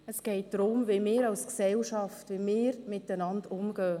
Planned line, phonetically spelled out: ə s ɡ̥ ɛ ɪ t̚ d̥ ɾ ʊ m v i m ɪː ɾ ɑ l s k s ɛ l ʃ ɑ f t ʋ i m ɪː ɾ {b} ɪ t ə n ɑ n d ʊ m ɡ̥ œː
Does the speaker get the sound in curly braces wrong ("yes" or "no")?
yes